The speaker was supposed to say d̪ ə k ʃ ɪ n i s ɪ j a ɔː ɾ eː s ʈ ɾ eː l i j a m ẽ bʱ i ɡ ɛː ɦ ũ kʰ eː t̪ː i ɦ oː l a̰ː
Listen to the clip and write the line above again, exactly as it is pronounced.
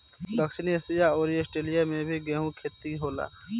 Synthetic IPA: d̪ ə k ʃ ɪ n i s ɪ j a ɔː ɾ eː s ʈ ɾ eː l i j a m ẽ bʱ i ɡ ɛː ɦ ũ kʰ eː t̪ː i ɦ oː l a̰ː